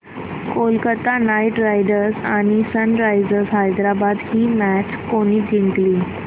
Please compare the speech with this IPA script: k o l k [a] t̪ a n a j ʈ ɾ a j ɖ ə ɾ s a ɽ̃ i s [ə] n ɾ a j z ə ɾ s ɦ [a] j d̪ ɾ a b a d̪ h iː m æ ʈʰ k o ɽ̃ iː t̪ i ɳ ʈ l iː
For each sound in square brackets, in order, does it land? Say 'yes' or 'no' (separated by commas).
no, yes, yes